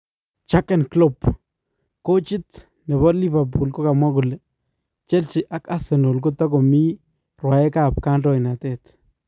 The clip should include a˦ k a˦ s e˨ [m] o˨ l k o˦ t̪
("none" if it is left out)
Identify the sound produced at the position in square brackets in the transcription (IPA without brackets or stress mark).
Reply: n